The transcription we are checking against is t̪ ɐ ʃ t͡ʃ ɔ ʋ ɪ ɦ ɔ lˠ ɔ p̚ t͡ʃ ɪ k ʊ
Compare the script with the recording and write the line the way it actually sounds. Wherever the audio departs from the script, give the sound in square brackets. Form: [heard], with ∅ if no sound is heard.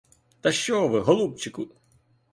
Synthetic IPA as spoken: t̪ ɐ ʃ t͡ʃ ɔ ʋ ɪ ɦ ɔ lˠ [u] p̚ t͡ʃ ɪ k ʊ